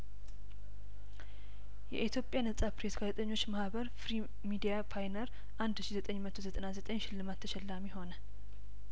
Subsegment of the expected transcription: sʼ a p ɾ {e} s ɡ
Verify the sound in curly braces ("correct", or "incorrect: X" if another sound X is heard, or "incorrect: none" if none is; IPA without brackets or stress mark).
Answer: correct